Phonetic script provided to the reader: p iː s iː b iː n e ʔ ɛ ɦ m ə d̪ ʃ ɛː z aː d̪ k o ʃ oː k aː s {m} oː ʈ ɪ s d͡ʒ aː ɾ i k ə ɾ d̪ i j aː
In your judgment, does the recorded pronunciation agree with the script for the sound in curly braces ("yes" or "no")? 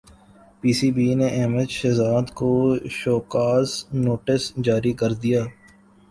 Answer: no